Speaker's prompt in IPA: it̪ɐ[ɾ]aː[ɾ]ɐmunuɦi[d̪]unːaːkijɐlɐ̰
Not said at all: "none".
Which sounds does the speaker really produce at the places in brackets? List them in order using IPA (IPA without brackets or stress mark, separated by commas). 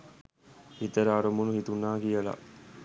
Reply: ɾ, ɾ, t̪